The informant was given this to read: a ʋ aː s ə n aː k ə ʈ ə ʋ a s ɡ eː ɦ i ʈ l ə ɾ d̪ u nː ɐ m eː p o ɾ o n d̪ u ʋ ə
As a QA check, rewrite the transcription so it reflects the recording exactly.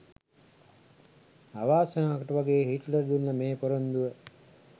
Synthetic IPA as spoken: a ʋ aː s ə n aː k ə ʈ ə ʋ a ɡ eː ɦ i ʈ l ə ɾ d̪ u nː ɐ m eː p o ɾ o n d̪ u ʋ ə

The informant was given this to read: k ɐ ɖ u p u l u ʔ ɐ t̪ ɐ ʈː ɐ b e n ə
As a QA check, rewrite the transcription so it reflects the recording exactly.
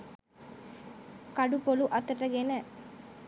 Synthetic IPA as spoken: k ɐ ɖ u p o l u ʔ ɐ t̪ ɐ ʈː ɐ ɡ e n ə

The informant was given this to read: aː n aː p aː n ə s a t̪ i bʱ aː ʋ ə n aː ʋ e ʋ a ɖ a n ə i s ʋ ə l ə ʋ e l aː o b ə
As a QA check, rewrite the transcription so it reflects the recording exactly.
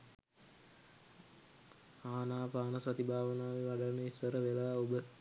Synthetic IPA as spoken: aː n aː p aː n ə s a t̪ i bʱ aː ʋ ə n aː ʋ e ʋ a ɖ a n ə i s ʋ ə ɾ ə ʋ e l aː o b ə

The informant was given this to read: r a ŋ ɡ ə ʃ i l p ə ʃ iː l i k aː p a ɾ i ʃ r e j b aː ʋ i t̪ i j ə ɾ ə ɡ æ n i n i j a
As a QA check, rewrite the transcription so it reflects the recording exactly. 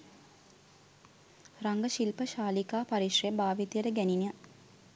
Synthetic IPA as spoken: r a ŋ ɡ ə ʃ i l p ə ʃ aː l i k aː p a ɾ i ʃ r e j b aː ʋ i t̪ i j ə ɾ ə ɡ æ n i n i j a

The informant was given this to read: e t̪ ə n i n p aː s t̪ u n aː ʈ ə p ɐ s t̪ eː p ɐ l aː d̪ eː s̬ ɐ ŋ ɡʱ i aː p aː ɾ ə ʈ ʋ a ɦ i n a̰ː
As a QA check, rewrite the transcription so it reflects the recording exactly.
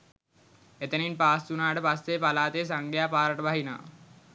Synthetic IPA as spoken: e t̪ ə n i n p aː s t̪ u n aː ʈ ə p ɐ s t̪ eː p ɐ l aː t̪ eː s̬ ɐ ŋ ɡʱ j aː p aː ɾ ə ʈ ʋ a ɦ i n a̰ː

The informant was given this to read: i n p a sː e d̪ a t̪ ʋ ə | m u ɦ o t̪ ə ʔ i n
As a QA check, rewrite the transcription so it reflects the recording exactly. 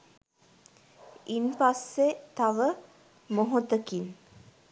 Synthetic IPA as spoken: i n p a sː e t̪ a ʋ ə | m o ɦ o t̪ ə k i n

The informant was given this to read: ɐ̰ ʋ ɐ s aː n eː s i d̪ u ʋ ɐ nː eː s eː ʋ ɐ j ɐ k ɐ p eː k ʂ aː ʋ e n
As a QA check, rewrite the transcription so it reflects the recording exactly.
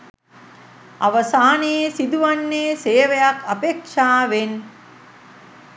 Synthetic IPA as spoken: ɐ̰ ʋ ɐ s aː n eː s i d̪ u ʋ ɐ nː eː s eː ʋ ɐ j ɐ k ɐ p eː k ʂ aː ʋ e n

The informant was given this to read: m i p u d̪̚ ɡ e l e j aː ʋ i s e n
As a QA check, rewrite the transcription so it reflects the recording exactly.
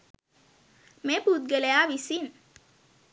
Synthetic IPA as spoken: m e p u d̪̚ ɡ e l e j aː ʋ i s i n

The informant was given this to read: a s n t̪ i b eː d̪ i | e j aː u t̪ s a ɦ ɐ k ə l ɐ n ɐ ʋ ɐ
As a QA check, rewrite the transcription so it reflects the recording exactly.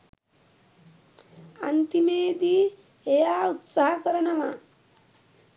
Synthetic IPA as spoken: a n t̪ i m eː d̪ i | e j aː u t̪ s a ɦ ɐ k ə ɾ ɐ n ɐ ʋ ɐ

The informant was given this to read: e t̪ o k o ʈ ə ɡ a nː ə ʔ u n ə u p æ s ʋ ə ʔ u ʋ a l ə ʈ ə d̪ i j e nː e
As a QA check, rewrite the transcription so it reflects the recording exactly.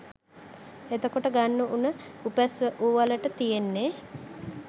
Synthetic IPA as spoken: e t̪ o k o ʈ ə ɡ a nː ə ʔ u n ə u p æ s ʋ ə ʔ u ʋ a l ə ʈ ə t̪ i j e nː e

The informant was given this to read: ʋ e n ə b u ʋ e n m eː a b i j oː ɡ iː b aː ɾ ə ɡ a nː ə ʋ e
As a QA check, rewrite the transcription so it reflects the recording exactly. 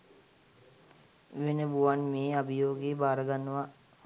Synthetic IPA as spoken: ʋ e n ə b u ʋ a n m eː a b i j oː ɡ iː b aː ɾ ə ɡ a nː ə ʋ a

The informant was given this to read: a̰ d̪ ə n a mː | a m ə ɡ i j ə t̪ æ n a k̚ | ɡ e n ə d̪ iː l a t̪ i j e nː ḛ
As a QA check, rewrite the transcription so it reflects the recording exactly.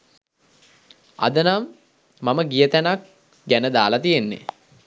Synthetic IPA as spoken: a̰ d̪ ə n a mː | a m ə ɡ i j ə t̪ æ n a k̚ | ɡ æ n ə d̪ aː l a t̪ i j e nː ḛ

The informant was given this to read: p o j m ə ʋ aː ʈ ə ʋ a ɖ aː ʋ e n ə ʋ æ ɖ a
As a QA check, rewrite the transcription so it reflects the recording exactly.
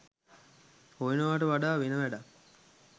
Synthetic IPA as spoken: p o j n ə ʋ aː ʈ ə ʋ a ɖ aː ʋ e n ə ʋ æ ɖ a

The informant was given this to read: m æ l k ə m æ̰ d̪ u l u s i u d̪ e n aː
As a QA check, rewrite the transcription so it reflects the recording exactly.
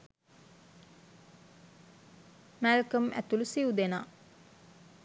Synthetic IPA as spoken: m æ l k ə m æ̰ t̪ u l u s i u d̪ e n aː

